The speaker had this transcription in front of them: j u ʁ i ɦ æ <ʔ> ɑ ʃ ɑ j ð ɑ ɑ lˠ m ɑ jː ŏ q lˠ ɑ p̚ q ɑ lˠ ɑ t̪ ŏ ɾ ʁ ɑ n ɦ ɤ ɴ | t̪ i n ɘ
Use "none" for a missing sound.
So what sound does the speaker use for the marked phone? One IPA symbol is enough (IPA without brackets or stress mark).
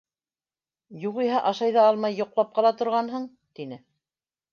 ʔ